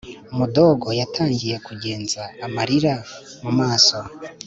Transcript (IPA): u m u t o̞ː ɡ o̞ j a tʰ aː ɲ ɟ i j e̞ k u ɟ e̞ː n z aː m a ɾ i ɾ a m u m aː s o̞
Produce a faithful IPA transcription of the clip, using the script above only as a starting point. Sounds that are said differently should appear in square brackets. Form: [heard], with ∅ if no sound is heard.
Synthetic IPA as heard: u m u [d] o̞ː ɡ o̞ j a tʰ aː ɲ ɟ i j e̞ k u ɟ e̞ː n z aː m a ɾ i ɾ a m u m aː s o̞